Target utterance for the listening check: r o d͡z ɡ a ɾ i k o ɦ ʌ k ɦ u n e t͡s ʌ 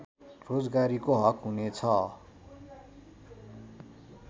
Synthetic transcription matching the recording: r o d͡z ɡ a ɾ i k o ɦ ʌ k ɦ u n e t͡sʰ ʌ